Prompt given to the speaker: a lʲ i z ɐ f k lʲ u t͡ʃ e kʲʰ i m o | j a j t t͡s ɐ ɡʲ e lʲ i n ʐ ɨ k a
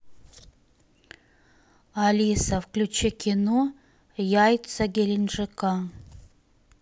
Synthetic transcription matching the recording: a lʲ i s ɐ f k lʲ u t͡ʃ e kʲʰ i n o | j a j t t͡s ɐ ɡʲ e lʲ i n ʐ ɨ k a